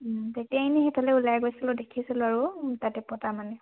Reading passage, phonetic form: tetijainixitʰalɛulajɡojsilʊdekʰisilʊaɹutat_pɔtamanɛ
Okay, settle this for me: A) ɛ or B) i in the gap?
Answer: A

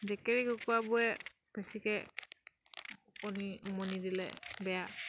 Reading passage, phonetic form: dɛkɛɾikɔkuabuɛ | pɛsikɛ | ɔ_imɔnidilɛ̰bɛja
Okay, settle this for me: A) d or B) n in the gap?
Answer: B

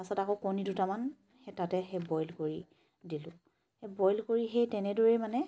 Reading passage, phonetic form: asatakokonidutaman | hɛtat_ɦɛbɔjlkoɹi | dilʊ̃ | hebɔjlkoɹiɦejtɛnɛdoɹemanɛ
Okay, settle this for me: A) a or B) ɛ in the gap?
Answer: B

